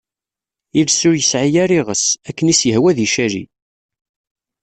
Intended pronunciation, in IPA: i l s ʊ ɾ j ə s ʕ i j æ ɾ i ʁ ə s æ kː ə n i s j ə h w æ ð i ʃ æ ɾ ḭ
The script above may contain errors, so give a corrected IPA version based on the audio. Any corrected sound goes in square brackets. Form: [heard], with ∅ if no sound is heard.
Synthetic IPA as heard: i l s ʊ ɾ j ə s ʕ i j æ ɾ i ʁ ə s æ kː ə n i s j ə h w æ ð i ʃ æ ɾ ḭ